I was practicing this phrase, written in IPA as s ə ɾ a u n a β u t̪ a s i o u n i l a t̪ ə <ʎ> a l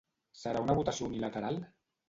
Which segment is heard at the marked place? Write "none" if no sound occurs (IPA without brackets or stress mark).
ɾ